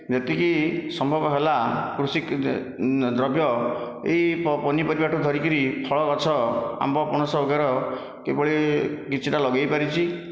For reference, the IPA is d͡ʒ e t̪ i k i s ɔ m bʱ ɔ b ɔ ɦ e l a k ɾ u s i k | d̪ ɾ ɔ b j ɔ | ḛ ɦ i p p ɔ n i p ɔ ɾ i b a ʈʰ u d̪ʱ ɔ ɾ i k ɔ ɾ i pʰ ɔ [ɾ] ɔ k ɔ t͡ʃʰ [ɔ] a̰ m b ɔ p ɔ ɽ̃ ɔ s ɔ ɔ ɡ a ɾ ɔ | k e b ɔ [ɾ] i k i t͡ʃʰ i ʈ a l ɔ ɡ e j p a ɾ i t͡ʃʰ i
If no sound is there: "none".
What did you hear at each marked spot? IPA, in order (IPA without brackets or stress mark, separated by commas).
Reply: ɭ, ɔ, ɭ